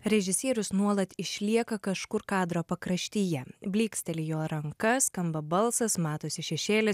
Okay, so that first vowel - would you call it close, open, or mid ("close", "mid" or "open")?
mid